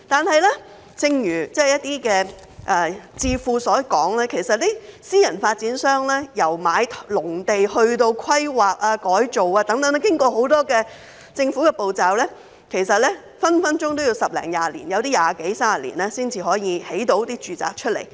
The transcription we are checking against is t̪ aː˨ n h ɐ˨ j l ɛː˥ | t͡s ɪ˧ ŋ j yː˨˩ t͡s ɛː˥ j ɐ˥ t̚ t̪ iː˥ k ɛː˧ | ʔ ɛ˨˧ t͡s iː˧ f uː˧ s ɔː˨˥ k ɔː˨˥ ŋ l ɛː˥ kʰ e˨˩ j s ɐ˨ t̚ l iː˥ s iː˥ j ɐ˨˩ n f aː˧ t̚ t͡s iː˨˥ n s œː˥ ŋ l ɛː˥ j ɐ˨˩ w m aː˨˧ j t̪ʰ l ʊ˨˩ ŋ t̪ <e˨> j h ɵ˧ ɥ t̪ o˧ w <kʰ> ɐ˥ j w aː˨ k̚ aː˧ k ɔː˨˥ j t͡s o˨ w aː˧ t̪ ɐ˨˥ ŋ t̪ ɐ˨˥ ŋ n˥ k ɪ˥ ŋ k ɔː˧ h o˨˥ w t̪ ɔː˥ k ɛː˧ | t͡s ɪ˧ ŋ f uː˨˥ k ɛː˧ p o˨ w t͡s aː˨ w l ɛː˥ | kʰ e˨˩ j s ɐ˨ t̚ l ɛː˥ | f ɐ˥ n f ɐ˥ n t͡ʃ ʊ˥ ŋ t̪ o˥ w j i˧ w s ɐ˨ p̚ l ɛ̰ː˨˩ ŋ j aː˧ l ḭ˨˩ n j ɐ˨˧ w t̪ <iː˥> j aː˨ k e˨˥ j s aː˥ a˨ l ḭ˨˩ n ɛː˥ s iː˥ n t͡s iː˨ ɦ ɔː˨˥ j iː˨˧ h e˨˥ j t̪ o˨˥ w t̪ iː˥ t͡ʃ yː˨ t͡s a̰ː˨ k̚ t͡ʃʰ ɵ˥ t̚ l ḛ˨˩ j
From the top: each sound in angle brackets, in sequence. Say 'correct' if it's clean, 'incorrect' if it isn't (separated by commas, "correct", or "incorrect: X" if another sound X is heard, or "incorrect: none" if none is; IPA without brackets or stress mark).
correct, correct, correct